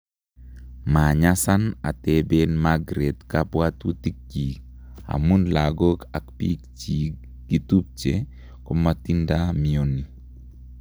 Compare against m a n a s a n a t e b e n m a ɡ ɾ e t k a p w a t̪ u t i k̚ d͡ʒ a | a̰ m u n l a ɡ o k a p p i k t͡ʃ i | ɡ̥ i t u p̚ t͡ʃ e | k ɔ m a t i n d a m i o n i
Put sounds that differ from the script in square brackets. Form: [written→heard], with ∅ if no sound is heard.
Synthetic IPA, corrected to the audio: m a [n→ɲ] a s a n a t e b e n m a ɡ ɾ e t k a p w a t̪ u t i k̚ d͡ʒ [a→i] | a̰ m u n l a ɡ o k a [p→k] p i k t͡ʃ i | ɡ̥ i t u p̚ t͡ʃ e | k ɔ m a t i n d a m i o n i